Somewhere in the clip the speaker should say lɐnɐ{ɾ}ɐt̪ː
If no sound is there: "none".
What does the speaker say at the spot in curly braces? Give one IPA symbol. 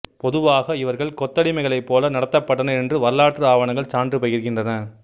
ɽ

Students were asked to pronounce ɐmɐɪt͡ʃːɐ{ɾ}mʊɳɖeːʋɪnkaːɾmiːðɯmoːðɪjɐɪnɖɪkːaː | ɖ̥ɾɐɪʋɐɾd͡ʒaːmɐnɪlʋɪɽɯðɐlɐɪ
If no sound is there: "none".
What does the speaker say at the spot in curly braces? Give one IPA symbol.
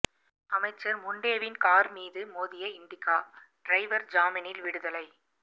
ɾ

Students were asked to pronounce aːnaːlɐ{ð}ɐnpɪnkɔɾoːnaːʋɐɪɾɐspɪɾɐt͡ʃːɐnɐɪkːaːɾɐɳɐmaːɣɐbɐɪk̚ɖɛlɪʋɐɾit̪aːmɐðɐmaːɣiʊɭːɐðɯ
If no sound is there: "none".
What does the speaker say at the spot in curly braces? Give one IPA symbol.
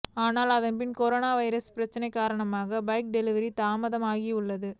ð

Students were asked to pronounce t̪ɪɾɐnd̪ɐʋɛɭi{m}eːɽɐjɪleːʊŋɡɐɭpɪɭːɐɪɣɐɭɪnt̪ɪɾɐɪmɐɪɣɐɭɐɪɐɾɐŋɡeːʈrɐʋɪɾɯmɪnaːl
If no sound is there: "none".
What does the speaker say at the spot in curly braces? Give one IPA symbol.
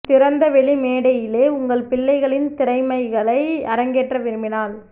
m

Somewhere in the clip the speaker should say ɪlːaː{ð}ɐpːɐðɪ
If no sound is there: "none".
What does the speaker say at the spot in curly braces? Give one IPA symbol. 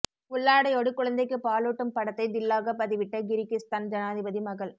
ɣ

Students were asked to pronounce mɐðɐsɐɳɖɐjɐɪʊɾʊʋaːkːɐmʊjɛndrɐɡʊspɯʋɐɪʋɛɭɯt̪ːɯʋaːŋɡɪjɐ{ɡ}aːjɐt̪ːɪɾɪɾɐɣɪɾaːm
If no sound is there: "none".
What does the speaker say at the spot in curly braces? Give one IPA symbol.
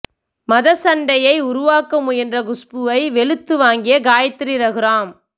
ɡ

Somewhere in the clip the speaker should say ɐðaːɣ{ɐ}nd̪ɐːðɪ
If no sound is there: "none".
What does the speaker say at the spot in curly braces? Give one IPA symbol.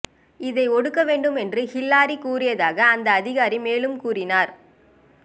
ɐː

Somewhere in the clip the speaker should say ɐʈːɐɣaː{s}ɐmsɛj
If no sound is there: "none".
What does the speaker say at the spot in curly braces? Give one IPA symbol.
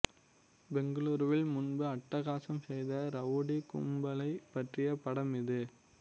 s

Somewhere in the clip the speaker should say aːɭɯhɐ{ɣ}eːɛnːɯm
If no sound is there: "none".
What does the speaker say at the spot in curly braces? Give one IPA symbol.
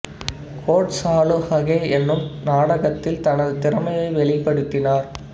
ɣ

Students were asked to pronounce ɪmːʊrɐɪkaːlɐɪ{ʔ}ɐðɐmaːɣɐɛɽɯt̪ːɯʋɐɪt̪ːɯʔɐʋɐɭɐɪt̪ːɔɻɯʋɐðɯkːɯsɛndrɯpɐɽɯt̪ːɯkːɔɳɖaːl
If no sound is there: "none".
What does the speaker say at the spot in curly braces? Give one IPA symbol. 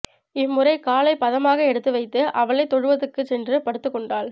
p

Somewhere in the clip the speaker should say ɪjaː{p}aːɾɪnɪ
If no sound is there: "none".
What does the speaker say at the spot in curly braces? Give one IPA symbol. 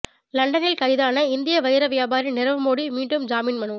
b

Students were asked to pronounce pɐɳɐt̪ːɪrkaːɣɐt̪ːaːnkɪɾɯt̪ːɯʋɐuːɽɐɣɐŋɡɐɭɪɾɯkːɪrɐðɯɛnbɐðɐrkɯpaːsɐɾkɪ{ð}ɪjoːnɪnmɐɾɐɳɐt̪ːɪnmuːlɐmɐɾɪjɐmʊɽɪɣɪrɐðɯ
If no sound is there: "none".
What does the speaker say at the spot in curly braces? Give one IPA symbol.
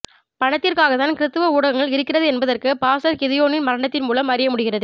ð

